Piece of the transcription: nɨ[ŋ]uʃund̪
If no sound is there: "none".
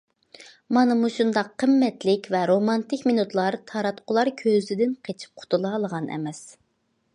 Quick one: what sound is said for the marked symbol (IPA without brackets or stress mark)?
m